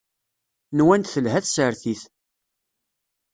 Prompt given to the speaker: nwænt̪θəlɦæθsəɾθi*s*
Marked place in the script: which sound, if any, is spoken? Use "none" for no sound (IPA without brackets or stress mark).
θ